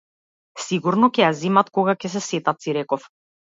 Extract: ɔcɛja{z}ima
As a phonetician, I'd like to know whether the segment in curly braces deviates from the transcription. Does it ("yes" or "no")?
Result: no